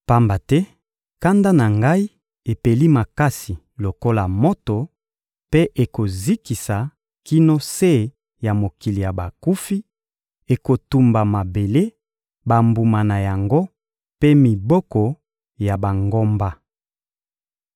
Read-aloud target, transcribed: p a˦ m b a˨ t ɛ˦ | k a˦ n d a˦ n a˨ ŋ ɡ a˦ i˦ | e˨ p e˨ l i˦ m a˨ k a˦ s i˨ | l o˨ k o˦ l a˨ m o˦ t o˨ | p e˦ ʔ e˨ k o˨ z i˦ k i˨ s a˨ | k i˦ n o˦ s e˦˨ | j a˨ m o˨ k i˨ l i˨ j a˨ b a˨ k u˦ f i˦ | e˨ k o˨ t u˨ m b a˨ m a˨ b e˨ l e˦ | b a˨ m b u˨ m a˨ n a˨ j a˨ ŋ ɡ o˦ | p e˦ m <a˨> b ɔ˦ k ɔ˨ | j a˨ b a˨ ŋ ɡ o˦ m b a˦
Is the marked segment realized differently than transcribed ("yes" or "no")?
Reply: yes